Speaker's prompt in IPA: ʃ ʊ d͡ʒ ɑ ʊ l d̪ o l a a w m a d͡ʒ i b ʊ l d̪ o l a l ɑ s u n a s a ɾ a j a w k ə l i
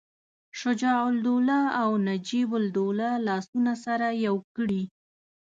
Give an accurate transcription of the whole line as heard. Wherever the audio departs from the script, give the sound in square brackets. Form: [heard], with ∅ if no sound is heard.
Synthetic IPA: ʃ ʊ d͡ʒ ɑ ʊ l d̪ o l a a w [n] a d͡ʒ i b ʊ l d̪ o l a l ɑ s u n a s a ɾ a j a w k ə [ɽ] i

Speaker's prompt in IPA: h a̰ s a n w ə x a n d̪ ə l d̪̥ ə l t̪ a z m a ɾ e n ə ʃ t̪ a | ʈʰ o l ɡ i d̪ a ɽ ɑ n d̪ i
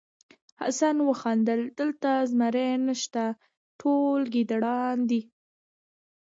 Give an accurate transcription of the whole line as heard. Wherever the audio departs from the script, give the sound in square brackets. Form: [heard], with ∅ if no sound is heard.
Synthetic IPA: h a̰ s a n w ə x [ɑ] n d̪ ə l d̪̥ ə l t̪ a z m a ɾ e n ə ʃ t̪ a | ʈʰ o l ɡ i d̪ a ɽ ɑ n d̪ i

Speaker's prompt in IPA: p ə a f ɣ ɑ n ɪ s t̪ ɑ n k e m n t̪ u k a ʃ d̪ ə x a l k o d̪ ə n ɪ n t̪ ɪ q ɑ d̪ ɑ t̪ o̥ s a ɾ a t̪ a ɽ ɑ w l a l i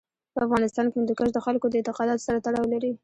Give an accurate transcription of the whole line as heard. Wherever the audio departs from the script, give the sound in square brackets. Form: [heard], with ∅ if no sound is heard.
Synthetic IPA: p ə a f ɣ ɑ n ɪ s t̪ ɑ n k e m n [d̪] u k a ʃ d̪ ə x a l k o d̪ ə [∅] ɪ n t̪ ɪ q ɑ d̪ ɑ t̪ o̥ s a ɾ a t̪ a ɽ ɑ w l a [ɾ] i

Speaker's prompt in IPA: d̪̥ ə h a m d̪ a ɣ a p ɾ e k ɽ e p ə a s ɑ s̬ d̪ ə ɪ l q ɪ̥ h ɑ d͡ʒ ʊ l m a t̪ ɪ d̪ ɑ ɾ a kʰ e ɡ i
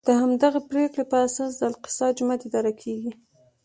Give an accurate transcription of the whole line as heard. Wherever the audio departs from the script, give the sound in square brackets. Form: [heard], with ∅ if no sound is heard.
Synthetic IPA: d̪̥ ə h a m d̪ a ɣ a p ɾ e k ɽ e p ə a s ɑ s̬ d̪ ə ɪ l q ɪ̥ [s] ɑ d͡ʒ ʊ [∅] m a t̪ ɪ d̪ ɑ ɾ a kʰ e ɡ i

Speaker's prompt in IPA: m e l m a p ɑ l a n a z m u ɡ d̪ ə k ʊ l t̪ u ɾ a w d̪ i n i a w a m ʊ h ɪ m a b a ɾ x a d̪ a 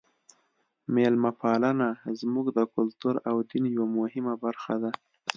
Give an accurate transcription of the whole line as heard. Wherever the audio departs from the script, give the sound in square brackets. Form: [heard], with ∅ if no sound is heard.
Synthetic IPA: m e l m a p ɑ l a n a z m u ɡ d̪ ə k ʊ l t̪ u ɾ a w d̪ i n [j] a w a m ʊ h ɪ m a b a ɾ x a d̪ a

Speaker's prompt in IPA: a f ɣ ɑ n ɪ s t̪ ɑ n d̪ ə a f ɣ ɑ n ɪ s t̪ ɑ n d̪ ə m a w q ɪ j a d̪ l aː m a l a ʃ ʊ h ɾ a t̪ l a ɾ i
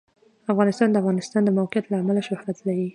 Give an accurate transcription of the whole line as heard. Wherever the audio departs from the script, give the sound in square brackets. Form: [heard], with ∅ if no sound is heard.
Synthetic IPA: a f ɣ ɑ n ɪ s t̪ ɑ n d̪ ə a f ɣ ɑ n ɪ s t̪ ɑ n d̪ ə m a w q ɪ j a [t̪] l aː m a l a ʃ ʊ h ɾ a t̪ l a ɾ i

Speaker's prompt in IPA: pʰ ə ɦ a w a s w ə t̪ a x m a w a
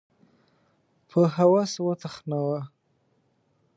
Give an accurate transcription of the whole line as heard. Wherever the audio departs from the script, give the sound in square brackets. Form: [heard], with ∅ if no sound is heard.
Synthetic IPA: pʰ ə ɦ a w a s w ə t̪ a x [n] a w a

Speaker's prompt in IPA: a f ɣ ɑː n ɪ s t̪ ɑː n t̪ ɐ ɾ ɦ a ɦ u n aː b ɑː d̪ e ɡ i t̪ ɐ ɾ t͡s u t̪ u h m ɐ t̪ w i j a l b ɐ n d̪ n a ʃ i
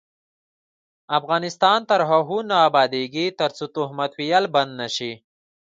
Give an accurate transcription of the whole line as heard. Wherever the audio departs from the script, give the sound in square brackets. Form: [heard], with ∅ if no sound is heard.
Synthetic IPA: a f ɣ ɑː n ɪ s t̪ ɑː n t̪ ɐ ɾ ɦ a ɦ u n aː b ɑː d̪ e ɡ i t̪ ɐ ɾ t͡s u t̪ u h m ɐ t̪ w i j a l b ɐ n d̪ n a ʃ i

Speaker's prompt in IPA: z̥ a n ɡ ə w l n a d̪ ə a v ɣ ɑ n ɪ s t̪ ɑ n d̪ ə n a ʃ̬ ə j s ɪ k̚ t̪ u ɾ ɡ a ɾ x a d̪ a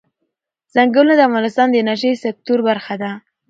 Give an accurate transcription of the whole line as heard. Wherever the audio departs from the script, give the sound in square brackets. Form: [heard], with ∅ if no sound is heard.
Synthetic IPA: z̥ a [ŋ] ɡ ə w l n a d̪ ə a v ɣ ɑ n ɪ s t̪ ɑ n d̪ ə n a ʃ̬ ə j s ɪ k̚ t̪ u ɾ [b] a ɾ x a d̪ a

